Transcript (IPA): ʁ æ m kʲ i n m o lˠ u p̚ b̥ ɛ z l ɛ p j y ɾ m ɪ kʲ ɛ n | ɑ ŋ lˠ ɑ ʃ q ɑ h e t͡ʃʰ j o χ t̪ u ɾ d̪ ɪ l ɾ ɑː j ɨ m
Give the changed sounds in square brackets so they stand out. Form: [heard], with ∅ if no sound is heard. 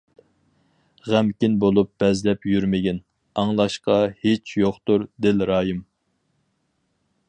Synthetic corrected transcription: ʁ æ m kʲ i n [b] o lˠ u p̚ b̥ ɛ z l ɛ p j y ɾ m ɪ [ɡʲ] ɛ n | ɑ ŋ lˠ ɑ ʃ q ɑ h e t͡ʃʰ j o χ t̪ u ɾ d̪ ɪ l ɾ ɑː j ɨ m